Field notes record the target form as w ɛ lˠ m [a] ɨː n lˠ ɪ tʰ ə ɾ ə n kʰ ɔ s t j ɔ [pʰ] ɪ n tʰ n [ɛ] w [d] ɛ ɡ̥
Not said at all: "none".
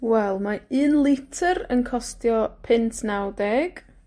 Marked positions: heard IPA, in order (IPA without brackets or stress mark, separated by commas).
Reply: a, pʰ, a, d